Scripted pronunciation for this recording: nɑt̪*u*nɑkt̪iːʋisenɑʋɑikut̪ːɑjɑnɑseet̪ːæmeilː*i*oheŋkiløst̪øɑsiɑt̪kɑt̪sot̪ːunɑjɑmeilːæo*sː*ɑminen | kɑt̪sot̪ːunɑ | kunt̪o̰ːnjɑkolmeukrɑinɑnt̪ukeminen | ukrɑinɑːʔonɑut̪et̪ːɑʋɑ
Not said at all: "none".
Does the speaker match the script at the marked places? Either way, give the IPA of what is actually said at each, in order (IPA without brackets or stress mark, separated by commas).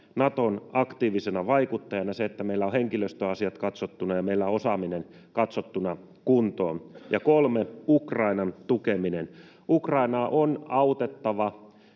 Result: o, æ, s